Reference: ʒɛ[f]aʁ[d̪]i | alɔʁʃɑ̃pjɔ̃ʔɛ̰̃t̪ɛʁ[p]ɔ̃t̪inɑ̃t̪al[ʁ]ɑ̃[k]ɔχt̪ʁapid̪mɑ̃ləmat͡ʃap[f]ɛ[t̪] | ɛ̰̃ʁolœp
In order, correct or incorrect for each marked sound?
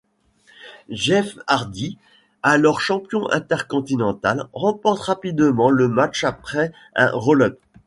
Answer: correct, correct, incorrect, correct, incorrect, incorrect, incorrect

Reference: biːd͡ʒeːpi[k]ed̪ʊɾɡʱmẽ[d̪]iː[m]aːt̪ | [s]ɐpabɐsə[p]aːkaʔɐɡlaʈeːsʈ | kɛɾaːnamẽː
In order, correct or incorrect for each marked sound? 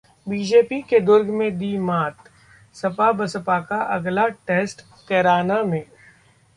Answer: correct, correct, correct, correct, correct

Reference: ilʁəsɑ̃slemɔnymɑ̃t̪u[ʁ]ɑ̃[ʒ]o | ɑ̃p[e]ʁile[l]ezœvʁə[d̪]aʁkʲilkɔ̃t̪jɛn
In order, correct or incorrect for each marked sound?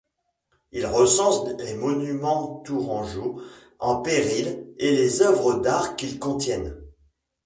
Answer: correct, correct, correct, correct, correct

